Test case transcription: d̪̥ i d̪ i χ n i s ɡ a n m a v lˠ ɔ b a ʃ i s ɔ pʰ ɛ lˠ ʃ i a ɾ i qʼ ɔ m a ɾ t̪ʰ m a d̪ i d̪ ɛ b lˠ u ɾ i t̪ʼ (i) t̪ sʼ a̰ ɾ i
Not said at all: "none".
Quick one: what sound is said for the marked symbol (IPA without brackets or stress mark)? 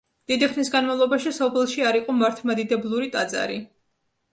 a